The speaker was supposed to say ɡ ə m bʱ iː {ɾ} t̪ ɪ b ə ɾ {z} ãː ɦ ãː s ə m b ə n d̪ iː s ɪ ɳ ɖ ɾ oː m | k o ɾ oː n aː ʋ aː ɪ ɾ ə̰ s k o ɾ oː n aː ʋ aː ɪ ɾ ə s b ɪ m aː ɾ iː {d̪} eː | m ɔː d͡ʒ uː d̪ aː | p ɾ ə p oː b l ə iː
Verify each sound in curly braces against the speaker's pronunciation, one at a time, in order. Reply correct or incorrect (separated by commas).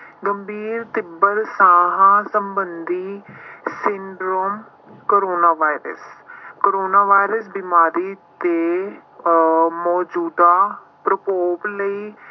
correct, incorrect, incorrect